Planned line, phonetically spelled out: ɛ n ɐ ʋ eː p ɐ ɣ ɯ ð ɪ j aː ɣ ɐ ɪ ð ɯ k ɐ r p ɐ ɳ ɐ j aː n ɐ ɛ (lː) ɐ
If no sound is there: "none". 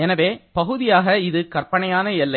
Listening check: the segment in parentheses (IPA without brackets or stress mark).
lː